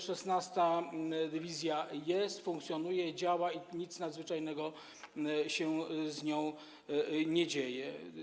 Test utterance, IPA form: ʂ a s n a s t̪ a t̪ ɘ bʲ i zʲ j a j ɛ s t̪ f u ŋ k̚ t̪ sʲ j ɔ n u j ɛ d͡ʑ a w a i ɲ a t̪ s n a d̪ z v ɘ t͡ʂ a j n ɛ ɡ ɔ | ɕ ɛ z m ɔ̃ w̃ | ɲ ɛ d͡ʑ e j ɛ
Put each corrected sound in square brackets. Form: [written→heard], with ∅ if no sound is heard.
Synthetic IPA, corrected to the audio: ʂ [a→ɛ] s n a s t̪ a [t̪→d̪] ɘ [bʲ→vʲ] i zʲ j a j ɛ s t̪ f u ŋ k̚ t̪ sʲ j ɔ n u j ɛ d͡ʑ a w a i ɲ [a→i] t̪ s n a d̪ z v ɘ t͡ʂ a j n ɛ ɡ ɔ | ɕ ɛ z [m→ɲ] ɔ̃ w̃ | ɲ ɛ d͡ʑ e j ɛ